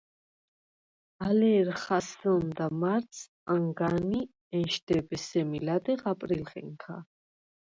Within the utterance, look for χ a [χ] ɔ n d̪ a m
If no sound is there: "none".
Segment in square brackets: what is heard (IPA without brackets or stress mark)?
s